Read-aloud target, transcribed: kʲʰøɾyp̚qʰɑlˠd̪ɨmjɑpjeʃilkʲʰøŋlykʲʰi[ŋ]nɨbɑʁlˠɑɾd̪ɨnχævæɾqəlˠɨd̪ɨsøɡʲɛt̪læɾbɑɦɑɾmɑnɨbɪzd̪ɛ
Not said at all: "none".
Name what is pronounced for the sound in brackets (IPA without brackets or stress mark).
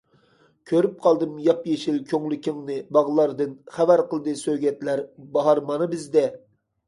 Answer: ŋ